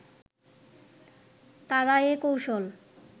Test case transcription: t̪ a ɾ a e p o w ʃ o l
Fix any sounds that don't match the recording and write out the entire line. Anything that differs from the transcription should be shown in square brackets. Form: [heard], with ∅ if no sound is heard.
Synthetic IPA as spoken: t̪ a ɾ a e [k] o w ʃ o l